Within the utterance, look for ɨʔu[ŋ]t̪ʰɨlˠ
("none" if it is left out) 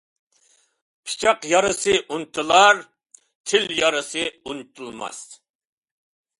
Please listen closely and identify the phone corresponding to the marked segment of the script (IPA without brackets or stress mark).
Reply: n